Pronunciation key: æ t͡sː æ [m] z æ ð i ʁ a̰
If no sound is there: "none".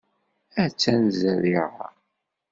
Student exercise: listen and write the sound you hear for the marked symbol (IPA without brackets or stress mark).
n